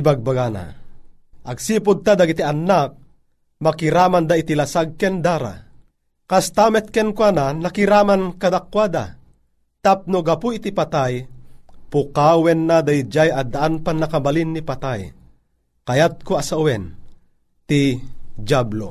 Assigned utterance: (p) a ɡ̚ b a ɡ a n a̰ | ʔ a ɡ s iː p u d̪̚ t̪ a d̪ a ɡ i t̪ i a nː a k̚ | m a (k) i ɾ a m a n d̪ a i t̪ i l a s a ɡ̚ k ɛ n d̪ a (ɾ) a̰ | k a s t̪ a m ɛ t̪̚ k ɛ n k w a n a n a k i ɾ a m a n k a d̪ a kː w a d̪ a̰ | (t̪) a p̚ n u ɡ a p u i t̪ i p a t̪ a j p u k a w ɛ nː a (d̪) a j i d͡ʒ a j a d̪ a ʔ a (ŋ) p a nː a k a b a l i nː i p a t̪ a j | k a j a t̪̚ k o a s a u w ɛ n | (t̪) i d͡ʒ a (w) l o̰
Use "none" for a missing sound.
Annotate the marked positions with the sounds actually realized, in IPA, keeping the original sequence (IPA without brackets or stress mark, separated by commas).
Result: b, k, ɾ, t̪, d̪, n, t̪, b